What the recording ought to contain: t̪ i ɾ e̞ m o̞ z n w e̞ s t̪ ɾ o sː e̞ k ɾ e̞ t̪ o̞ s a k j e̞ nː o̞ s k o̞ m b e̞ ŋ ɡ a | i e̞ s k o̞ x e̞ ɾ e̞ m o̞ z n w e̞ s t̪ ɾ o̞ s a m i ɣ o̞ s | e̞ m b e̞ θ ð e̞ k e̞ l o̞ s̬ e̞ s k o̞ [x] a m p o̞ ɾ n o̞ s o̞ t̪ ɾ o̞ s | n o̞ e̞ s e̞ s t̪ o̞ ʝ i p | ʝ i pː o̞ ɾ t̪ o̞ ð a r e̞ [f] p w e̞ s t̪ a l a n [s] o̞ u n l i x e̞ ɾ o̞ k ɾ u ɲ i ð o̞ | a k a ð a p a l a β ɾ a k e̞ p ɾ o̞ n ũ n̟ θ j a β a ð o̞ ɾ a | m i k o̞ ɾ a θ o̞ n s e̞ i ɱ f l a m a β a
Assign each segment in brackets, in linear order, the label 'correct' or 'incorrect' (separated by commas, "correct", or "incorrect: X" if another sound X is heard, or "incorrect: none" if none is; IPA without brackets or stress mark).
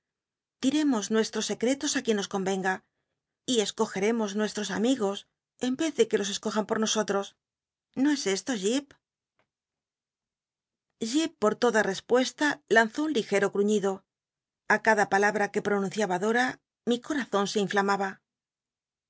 correct, incorrect: s, incorrect: θ